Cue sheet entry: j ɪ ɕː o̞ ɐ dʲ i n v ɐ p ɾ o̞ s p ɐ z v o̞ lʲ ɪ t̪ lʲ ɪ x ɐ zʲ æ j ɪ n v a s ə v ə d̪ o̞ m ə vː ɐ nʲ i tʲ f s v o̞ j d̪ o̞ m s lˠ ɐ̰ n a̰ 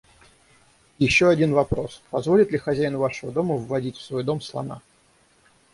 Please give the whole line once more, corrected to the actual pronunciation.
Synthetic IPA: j ɪ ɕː o̞ ɐ dʲ i n v ɐ p ɾ o̞ s p ɐ z v o̞ lʲ ɪ t̪ lʲ ɪ x ɐ zʲ æ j ɪ n v a ʂ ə v ə d̪ o̞ m ə vː ɐ dʲ i tʲ f s v o̞ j d̪ o̞ m s lˠ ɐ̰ n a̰